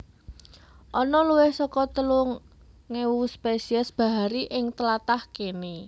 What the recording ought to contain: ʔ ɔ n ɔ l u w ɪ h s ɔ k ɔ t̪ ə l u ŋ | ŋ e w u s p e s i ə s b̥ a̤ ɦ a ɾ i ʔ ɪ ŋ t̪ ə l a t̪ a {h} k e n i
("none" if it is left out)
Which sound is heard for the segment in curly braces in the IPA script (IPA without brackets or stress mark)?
h